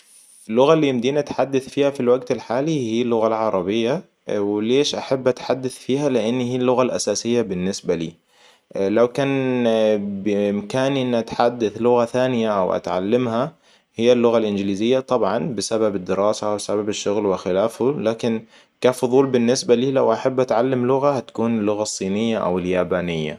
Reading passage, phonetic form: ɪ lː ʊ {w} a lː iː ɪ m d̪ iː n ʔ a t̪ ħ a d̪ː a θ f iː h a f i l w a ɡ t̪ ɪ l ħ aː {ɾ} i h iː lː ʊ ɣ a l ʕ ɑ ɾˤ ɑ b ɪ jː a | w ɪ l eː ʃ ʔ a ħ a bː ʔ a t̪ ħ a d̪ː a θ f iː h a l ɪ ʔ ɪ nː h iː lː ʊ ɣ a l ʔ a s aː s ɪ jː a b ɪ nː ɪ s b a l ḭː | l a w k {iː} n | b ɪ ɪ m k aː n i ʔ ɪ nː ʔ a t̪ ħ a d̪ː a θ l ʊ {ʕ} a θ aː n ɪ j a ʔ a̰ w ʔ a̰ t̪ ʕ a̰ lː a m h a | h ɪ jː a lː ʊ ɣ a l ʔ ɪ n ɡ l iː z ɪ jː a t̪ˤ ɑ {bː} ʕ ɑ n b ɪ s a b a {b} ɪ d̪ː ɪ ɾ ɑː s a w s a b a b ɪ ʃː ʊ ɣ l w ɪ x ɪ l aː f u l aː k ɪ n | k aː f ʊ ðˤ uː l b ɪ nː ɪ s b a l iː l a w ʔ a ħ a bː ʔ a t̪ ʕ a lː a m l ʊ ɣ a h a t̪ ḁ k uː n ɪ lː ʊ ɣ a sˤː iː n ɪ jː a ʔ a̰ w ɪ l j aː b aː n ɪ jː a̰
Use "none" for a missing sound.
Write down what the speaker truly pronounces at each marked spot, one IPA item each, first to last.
ɣ, l, aː, ɣ, b, b

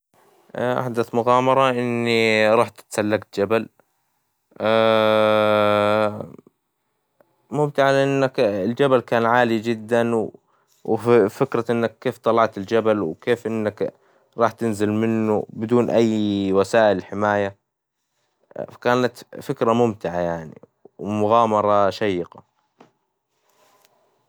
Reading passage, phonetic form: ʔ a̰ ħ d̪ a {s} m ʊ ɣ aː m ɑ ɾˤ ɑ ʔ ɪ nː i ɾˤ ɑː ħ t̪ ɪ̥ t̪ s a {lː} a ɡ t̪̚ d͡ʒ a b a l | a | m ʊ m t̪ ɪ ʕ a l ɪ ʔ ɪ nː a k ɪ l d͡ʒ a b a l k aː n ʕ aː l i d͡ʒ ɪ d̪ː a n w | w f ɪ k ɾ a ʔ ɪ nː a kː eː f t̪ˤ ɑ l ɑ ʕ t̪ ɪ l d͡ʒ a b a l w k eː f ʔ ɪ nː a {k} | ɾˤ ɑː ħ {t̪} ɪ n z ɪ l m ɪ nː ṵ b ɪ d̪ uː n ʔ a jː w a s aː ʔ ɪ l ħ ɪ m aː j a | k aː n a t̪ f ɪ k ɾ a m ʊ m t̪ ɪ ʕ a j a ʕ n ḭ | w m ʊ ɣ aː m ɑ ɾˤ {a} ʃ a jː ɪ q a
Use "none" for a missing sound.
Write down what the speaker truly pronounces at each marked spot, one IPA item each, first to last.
θ, lː, k, t̪, ɑ

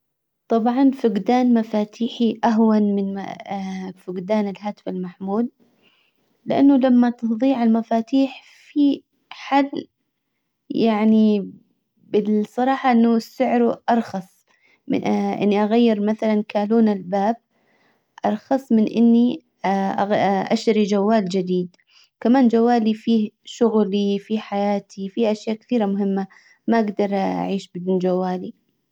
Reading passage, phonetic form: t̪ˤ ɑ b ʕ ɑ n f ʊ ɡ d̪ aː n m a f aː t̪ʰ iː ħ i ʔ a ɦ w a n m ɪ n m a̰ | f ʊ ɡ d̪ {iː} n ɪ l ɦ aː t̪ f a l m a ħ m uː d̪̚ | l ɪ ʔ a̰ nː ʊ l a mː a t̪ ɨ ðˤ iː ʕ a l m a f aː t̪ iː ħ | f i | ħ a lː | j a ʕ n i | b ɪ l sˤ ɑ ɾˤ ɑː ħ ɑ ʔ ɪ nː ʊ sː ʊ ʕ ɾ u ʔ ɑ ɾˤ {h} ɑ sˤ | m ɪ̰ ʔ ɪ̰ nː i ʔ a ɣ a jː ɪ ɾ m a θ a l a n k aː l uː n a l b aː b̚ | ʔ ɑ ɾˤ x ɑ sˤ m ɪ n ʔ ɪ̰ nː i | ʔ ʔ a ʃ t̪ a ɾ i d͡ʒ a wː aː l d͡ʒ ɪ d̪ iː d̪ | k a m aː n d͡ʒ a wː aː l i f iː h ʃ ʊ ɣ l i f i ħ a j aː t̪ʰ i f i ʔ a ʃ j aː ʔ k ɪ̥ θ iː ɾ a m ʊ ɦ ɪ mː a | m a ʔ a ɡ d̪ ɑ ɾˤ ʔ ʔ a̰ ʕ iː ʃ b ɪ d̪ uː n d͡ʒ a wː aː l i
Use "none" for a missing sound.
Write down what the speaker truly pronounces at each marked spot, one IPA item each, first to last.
aː, x

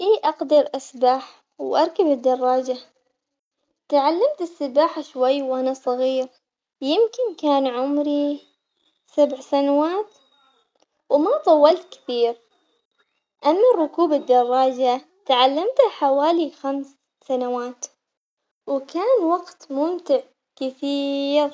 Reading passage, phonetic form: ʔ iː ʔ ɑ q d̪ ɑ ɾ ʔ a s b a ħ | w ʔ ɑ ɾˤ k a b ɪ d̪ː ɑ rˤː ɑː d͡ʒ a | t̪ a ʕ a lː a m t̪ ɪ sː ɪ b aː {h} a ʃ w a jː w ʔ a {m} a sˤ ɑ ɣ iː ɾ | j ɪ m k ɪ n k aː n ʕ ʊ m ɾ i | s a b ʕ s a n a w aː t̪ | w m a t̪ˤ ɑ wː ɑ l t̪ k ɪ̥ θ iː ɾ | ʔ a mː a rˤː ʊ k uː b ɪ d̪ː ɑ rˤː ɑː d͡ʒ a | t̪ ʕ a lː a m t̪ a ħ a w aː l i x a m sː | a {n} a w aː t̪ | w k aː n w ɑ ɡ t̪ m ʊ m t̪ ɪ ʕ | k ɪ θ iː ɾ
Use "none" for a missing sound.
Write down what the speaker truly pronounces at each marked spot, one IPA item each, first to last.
ħ, n, n

